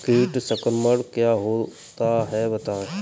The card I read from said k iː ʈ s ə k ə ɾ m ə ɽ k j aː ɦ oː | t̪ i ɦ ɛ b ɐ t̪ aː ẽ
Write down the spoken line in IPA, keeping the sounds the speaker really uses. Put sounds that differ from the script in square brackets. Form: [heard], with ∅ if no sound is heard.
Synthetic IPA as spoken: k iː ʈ s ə k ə ɾ m ə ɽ k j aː ɦ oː | t̪ [a] ɦ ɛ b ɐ t̪ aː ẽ